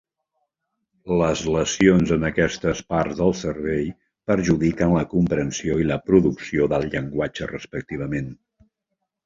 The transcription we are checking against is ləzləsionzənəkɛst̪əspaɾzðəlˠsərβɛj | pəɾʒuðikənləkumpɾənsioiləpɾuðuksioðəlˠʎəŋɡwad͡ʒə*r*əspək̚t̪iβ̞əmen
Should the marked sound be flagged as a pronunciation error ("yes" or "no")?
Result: no